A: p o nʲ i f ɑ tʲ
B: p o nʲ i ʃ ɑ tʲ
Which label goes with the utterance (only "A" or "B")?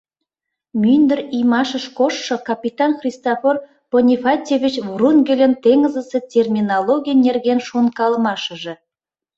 A